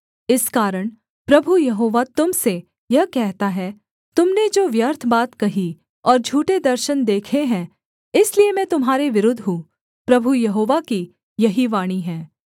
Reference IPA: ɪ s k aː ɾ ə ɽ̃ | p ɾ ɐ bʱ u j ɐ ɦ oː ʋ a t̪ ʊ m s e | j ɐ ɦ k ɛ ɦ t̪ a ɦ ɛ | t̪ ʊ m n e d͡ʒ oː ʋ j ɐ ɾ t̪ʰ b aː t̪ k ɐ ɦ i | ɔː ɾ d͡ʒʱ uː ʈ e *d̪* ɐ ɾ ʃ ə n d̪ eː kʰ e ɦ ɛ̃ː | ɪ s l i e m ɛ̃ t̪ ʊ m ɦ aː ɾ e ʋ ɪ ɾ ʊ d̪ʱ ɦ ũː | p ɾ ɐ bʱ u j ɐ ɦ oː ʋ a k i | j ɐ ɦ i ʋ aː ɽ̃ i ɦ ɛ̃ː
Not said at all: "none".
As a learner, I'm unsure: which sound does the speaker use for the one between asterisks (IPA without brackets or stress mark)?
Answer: d̪